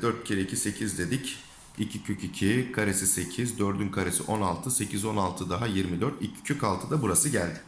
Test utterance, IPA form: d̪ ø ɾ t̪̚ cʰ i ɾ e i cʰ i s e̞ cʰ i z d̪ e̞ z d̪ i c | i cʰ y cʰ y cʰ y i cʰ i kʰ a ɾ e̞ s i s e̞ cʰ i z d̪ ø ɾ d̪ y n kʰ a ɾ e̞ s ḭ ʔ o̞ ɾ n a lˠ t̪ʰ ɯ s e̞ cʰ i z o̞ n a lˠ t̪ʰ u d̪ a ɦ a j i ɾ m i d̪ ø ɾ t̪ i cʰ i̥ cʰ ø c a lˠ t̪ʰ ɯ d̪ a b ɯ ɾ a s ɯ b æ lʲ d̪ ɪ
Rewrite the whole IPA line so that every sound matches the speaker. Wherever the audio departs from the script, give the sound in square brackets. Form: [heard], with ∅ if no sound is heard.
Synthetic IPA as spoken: d̪ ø ɾ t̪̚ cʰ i ɾ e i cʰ i s e̞ cʰ i z d̪ e̞ [∅] d̪ i c | i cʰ [i] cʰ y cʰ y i cʰ i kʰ a ɾ e̞ s i s e̞ cʰ i z d̪ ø ɾ d̪ y n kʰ a ɾ e̞ s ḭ ʔ o̞ [∅] n a lˠ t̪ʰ ɯ s e̞ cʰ i z o̞ n a lˠ t̪ʰ [ɯ] d̪ a ɦ a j i ɾ m i d̪ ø ɾ t̪ i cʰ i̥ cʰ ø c a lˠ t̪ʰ ɯ d̪ a b [u] ɾ a s ɯ [ɟ] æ lʲ d̪ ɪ

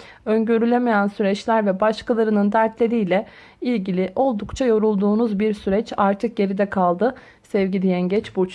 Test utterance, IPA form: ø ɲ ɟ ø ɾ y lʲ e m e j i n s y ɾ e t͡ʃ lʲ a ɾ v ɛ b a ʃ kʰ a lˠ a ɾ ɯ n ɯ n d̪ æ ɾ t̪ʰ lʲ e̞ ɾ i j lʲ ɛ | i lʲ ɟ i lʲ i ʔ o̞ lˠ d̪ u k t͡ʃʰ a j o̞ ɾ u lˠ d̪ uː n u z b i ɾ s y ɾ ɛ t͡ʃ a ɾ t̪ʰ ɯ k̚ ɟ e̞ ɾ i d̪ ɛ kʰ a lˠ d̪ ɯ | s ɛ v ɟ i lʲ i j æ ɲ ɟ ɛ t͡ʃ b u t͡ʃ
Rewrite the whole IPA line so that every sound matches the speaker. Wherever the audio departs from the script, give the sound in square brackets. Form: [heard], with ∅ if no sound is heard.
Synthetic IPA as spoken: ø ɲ ɟ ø ɾ y lʲ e m e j [æ] n s y ɾ [ɛ] t͡ʃ lʲ [æ] ɾ v ɛ b a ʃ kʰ a lˠ a ɾ ɯ n ɯ n d̪ æ ɾ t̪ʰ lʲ e̞ ɾ i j lʲ ɛ | i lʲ ɟ i lʲ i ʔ o̞ lˠ d̪ u k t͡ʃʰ a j o̞ ɾ u lˠ d̪ uː n u z b i ɾ s y ɾ ɛ t͡ʃ a ɾ t̪ʰ ɯ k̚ ɟ e̞ ɾ i d̪ ɛ kʰ a lˠ d̪ ɯ | s ɛ v ɟ i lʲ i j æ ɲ ɟ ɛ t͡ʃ b u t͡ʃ

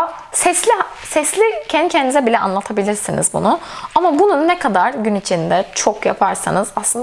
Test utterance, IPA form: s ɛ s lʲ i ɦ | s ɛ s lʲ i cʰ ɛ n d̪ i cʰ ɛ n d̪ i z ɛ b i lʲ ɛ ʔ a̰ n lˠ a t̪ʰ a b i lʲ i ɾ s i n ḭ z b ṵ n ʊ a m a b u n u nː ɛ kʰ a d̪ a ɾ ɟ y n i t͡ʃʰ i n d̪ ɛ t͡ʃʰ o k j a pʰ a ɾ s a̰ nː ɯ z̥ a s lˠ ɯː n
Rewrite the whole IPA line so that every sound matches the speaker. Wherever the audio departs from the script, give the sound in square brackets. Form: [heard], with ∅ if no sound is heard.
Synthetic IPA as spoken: s ɛ s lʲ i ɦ | s ɛ s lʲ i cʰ ɛ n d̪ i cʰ ɛ n d̪ i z ɛ b i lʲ ɛ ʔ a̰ n lˠ a t̪ʰ a b i lʲ i ɾ s i n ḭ z b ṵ n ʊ a m a b u n u nː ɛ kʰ a d̪ a ɾ ɟ y n i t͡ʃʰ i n d̪ ɛ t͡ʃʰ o k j a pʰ a ɾ s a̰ [n] ɯ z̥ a s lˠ [ɯ] n

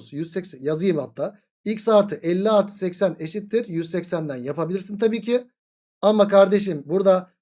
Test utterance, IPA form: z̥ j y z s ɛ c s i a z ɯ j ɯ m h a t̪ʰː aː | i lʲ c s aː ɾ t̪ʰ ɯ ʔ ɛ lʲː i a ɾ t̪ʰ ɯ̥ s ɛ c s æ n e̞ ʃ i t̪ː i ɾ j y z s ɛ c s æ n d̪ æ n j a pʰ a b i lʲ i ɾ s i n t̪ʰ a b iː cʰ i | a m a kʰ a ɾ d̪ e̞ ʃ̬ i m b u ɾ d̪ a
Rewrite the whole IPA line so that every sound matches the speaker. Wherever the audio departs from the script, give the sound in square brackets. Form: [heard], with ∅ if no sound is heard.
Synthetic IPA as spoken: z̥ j y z s ɛ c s [j] a z ɯ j ɯ m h a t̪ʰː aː | i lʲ c s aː ɾ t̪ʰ ɯ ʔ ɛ lʲː i a ɾ t̪ʰ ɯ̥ s ɛ c s æ n e̞ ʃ i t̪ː i ɾ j y z s ɛ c s æ n d̪ æ n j a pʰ a b i lʲ i ɾ s i n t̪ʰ a b iː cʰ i | a m a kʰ a ɾ d̪ e̞ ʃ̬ i m b u ɾ d̪ a

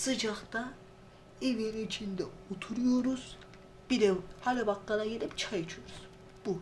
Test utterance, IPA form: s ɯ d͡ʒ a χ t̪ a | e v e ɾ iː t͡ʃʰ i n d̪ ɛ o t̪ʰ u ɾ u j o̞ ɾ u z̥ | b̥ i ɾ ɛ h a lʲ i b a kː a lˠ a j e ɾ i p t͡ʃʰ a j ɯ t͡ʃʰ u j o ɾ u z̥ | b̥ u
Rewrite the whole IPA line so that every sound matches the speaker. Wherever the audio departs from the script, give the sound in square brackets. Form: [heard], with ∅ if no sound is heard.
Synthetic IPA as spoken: s ɯ d͡ʒ a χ t̪ a | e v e ɾ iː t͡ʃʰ i n d̪ ɛ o t̪ʰ u ɾ u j o̞ ɾ u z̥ | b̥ i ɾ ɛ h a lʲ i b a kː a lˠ a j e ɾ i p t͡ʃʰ a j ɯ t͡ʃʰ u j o ɾ u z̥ | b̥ u

